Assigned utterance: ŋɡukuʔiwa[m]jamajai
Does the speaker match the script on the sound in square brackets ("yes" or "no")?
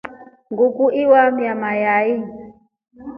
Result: yes